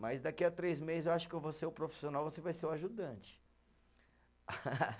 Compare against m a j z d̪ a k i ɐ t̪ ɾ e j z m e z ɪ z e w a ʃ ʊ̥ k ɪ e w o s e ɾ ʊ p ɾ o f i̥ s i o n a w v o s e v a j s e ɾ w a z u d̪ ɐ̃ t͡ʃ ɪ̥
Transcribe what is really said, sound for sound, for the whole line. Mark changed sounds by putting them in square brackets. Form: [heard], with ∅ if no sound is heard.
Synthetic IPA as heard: m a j z d̪ a k i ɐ t̪ ɾ e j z m e z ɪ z e w a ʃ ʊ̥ k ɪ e [v] o s e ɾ ʊ p ɾ o f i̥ s i o n a w v o s e v a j s e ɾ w a [ʒ] u d̪ ɐ̃ t͡ʃ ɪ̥